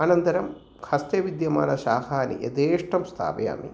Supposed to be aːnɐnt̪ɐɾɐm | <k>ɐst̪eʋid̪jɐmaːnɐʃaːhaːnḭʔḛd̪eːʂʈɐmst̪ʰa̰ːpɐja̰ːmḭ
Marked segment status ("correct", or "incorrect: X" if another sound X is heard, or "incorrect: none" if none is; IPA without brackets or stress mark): incorrect: kʰ